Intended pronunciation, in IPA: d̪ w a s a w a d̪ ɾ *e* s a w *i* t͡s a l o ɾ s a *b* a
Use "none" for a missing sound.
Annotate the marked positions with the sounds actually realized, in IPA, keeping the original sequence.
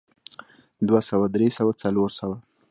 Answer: e, a, w

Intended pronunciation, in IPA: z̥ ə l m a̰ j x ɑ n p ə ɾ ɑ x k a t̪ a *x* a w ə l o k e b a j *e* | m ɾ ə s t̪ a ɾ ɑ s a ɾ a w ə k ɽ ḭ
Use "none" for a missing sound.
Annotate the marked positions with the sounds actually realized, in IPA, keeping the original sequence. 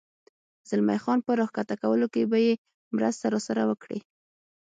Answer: k, e

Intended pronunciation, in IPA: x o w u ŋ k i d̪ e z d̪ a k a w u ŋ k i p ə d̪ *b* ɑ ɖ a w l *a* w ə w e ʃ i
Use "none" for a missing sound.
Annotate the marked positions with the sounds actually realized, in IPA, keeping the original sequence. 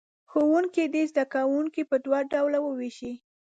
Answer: w, a

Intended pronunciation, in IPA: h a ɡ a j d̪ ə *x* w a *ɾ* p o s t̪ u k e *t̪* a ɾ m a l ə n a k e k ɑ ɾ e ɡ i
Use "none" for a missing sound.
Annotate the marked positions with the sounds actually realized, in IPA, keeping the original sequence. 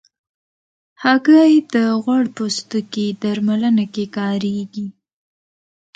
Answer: ɣ, ɽ, d̪

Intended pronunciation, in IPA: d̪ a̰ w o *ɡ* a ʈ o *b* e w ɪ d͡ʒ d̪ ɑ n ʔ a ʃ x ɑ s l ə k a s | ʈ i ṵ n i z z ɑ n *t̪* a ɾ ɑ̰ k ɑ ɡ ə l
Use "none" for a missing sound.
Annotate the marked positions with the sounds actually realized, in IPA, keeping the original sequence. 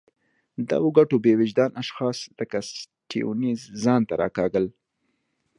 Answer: ɡ, b, t̪

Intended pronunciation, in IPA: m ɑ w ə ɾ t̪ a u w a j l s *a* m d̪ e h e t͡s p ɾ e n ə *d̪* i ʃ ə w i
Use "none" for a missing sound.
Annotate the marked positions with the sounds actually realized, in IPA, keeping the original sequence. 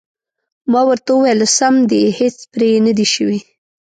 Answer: a, d̪

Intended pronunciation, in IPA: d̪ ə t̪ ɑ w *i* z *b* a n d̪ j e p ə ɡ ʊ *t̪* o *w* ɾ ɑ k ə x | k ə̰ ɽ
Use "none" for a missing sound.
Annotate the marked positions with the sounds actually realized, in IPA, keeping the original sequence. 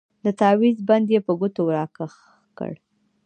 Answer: i, b, t̪, w

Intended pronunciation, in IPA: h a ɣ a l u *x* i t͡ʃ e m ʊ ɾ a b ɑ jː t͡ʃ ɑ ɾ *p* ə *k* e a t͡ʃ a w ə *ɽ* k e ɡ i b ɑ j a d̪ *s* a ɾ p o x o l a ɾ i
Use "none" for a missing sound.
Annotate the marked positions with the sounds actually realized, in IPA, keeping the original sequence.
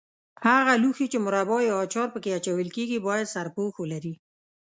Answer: x, p, k, l, s

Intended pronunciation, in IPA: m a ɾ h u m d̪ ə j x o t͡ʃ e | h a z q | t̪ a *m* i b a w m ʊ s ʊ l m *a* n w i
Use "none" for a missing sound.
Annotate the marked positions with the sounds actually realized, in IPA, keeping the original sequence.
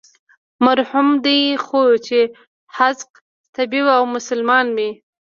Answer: b, ɑ

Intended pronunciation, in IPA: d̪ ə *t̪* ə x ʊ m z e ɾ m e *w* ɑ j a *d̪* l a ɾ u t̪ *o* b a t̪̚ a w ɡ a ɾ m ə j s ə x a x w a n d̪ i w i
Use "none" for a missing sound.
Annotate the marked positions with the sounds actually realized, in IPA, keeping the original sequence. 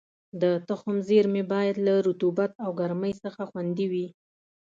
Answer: t̪, b, d̪, u

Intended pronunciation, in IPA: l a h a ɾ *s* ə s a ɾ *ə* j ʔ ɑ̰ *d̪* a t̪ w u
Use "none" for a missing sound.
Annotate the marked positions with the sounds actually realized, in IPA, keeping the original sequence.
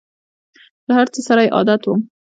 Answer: t͡s, a, d̪

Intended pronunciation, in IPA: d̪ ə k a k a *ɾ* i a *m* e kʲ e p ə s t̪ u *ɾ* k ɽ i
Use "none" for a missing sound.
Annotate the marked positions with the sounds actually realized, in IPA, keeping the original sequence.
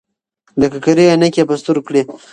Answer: ɾ, n, ɾ

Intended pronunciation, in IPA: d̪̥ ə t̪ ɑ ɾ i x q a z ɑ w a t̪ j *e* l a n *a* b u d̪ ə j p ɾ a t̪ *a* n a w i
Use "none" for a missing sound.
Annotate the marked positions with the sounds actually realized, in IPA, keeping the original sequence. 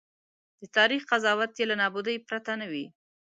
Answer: e, ɑ, a

